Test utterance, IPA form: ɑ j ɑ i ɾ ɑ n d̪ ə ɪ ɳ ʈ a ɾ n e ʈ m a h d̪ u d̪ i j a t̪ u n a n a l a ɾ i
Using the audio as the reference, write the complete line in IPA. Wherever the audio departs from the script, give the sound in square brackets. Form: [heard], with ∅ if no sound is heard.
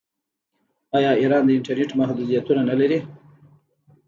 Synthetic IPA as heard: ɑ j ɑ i ɾ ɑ n d̪ ə ɪ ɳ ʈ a ɾ n e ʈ m a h d̪ u d̪ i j a t̪ u n a n a l a ɾ i